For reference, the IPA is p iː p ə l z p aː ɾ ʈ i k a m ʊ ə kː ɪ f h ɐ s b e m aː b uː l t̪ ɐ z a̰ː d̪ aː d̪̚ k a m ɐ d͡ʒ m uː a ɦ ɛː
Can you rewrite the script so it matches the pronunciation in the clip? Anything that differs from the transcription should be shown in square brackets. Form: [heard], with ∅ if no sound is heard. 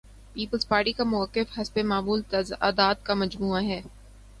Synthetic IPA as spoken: p iː p ə l z p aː ɾ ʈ i k a m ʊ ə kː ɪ f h ɐ s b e m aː [m] uː l t̪ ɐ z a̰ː d̪ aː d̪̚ k a m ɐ d͡ʒ m uː a ɦ ɛː